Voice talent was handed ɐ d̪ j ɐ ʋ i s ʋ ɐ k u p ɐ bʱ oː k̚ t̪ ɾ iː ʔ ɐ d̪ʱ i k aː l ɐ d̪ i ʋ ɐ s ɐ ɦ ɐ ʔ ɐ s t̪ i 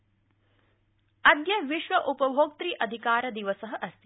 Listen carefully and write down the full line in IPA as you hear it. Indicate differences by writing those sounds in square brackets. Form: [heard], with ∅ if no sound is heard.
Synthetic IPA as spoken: ɐ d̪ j ɐ ʋ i [ʃ] ʋ ɐ [ʔ] u p ɐ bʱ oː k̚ t̪ ɾ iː ʔ ɐ d̪ʱ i k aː [ɾ] ɐ d̪ i ʋ ɐ s ɐ ɦ ɐ ʔ ɐ s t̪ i

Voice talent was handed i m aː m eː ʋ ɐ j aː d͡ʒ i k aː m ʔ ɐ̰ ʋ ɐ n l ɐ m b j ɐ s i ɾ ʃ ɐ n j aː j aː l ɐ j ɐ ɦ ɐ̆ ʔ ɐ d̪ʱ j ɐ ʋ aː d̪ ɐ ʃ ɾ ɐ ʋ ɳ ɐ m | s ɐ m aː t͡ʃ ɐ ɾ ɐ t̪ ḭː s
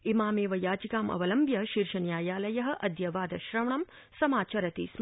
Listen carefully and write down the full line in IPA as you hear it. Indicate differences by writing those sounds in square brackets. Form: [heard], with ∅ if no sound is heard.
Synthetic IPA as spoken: i m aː m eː ʋ ɐ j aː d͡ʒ i k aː m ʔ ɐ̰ ʋ ɐ [∅] l ɐ m b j ɐ [ʃ] i ɾ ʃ ɐ n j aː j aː l ɐ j ɐ ɦ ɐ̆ ʔ ɐ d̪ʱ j ɐ ʋ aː d̪ ɐ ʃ ɾ ɐ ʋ ɳ ɐ m | s ɐ m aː t͡ʃ ɐ ɾ ɐ t̪ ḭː s

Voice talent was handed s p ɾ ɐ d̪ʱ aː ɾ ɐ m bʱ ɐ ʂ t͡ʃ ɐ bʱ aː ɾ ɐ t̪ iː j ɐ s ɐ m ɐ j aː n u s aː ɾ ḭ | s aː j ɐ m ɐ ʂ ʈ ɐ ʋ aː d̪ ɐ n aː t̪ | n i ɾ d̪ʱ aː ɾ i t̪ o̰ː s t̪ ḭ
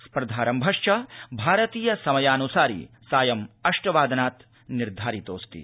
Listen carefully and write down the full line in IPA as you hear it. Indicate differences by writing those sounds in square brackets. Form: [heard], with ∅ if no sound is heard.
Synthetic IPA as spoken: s p ɾ ɐ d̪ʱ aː ɾ ɐ m bʱ ɐ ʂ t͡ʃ ɐ bʱ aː ɾ ɐ t̪ iː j ɐ s ɐ m ɐ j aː n u s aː ɾ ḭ | s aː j ɐ m ɐ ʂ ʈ ɐ ʋ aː d̪ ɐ n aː t̪ | n i ɾ d̪ʱ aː ɾ i t̪ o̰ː s t̪ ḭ

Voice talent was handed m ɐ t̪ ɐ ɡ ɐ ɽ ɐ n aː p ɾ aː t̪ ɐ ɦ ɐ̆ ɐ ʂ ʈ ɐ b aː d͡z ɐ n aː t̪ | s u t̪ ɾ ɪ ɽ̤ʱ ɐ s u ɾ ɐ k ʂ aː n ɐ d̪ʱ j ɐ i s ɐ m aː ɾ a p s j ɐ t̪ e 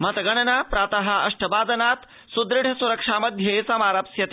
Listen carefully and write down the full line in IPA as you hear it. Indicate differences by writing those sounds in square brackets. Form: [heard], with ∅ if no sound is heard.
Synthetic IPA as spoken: m ɐ t̪ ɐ ɡ ɐ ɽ ɐ n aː p ɾ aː t̪ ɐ ɦ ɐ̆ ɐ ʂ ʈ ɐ b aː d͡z ɐ n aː t̪ | s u [d̪] ɾ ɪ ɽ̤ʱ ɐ s u ɾ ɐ k ʂ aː [m] ɐ d̪ʱ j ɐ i s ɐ m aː ɾ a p s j ɐ t̪ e

